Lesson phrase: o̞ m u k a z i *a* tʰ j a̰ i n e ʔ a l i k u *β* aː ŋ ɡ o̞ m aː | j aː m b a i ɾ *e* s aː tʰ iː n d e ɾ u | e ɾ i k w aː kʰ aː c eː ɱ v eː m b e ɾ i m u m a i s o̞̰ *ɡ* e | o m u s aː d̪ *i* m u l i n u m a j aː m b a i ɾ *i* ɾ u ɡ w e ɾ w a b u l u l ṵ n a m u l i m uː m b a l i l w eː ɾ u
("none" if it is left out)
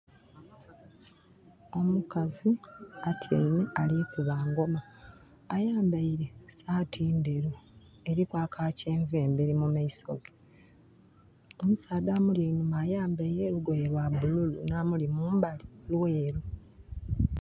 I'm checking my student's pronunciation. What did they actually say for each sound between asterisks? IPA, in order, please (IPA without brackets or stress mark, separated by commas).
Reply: a, β, e, ɡ, a, e